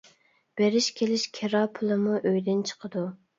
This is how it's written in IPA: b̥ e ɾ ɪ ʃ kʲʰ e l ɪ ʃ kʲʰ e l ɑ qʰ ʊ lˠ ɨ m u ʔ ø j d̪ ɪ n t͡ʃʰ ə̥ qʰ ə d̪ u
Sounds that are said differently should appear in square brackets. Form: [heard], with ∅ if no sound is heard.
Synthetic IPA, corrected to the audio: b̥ e ɾ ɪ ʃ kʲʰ e l ɪ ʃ kʲʰ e [ɾ] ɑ [pʰ] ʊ lˠ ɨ m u ʔ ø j d̪ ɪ n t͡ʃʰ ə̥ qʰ ə d̪ u